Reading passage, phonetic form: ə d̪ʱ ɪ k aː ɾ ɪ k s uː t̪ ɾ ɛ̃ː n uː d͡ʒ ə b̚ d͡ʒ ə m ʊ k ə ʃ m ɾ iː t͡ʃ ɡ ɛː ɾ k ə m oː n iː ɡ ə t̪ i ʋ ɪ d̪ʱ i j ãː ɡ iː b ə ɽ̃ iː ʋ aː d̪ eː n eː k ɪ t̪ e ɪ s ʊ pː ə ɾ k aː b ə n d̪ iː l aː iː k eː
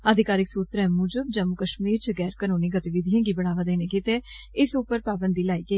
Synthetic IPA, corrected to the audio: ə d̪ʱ ɪ k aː ɾ ɪ k s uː t̪ ɾ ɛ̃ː m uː d͡ʒ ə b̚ d͡ʒ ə m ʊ k ə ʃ m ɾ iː t͡ʃ ɡ ɛː ɾ k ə n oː n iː ɡ ə t̪ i ʋ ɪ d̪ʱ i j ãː ɡ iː b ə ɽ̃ aː ʋ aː d̪ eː n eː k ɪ t̪ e ɪ s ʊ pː ə ɾ p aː b ə n d̪ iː l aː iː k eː